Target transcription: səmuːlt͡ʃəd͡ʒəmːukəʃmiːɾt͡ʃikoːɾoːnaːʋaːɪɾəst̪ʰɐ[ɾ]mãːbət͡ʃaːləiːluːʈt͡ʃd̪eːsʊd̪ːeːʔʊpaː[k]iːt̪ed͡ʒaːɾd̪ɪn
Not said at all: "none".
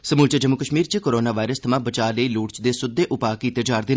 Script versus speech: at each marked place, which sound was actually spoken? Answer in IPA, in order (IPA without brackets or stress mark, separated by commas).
none, k